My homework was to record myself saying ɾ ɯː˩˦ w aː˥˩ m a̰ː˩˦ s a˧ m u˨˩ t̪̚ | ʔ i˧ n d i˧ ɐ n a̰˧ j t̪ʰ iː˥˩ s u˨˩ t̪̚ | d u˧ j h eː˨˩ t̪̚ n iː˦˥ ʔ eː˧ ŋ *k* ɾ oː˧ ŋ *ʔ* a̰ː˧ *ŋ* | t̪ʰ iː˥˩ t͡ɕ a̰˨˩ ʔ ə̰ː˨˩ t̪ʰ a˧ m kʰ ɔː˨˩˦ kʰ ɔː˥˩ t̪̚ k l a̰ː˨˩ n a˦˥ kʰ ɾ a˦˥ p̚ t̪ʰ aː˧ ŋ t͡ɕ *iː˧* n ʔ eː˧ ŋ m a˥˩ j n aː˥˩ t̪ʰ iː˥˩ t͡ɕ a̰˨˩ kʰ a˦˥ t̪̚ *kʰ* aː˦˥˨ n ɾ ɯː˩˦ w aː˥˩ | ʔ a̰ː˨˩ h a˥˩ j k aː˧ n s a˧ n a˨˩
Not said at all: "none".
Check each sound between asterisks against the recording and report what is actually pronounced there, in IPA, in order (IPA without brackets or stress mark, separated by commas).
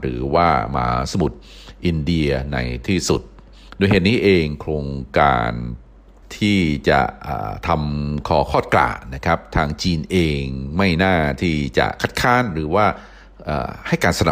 kʰ, k, n, iː˧, kʰ